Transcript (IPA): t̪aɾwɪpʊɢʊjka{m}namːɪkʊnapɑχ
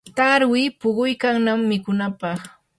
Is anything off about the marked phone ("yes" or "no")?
yes